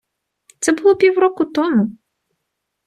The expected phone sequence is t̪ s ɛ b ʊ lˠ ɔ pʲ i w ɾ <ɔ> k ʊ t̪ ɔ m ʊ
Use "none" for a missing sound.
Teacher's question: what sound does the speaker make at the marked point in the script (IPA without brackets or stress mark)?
ɔ